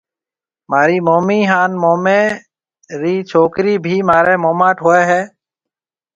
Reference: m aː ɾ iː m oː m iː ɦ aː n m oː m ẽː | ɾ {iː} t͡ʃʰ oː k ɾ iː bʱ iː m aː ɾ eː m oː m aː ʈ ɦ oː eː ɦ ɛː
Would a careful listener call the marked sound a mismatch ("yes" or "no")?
no